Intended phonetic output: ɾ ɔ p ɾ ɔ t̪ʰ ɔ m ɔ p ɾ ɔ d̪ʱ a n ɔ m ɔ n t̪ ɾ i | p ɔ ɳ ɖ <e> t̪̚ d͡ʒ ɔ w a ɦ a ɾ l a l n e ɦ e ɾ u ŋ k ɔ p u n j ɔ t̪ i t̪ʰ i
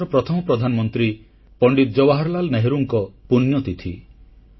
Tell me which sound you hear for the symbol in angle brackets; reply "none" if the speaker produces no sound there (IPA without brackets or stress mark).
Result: i